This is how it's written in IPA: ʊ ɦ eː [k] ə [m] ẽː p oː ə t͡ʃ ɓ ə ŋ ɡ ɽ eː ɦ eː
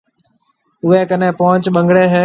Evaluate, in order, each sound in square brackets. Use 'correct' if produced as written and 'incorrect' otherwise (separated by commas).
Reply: correct, incorrect